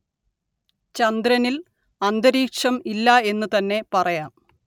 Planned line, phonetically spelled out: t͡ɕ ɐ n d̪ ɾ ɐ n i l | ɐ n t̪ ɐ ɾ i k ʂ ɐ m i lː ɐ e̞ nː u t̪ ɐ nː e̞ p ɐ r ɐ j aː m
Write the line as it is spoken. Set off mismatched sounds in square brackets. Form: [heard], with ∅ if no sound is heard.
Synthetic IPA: t͡ɕ ɐ n d̪ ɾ ɐ n i l | ɐ n [d̪] ɐ ɾ [iː] k ʂ ɐ m i lː ɐ e̞ nː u t̪ ɐ nː e̞ p ɐ r ɐ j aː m